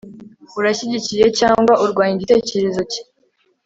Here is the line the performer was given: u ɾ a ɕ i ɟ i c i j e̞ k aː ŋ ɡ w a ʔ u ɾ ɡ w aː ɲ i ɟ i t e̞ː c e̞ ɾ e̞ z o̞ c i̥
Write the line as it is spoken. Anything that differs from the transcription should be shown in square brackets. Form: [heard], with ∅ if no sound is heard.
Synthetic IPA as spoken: u ɾ a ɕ i ɟ i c i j e̞ [c] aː ŋ ɡ w a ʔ u ɾ ɡ w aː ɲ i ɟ i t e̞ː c e̞ ɾ e̞ z o̞ c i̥